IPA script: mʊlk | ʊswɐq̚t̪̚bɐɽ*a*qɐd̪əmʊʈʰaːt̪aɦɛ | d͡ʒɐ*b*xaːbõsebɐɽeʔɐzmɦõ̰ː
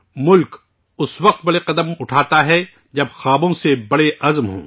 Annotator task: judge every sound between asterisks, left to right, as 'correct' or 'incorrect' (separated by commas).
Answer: incorrect, correct